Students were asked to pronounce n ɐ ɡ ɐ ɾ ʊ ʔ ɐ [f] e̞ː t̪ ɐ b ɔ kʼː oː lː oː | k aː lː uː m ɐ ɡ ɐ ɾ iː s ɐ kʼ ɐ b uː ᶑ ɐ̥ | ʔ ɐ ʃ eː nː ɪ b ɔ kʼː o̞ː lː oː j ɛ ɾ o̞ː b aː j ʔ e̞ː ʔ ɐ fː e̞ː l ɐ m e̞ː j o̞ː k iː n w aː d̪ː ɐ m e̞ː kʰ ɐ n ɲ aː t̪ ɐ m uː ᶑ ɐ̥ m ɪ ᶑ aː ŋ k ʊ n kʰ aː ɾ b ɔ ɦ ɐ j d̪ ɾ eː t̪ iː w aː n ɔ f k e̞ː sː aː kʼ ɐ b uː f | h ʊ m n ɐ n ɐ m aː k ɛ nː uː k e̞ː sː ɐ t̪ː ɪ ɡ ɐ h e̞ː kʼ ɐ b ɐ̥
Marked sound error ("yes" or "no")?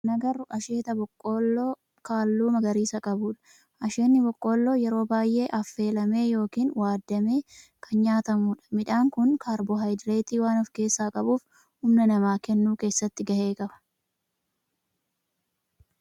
yes